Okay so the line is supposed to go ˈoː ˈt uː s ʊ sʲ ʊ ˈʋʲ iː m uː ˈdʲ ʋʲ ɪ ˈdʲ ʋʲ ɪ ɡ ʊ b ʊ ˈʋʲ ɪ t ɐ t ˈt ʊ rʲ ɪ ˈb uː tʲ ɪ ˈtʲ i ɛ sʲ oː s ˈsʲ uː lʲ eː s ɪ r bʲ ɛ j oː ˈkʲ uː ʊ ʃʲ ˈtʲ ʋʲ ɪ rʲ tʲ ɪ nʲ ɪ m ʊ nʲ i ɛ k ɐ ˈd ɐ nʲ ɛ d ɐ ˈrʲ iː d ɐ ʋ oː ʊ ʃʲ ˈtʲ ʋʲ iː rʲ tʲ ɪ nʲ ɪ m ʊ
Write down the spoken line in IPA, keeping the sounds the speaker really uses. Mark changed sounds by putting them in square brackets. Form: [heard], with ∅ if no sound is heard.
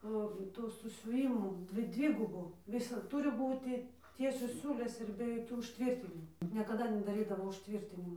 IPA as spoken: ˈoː ˈt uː s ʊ sʲ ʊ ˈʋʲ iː m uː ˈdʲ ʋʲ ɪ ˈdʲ ʋʲ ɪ ɡ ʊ b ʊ ˈʋʲ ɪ [s] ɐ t ˈt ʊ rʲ ɪ ˈb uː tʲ ɪ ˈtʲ i ɛ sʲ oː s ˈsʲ uː lʲ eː s ɪ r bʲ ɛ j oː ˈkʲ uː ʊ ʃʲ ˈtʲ ʋʲ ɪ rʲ tʲ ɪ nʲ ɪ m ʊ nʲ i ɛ k ɐ ˈd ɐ nʲ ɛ d ɐ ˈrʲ iː d ɐ ʋ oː ʊ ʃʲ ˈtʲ ʋʲ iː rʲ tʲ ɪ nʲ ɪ m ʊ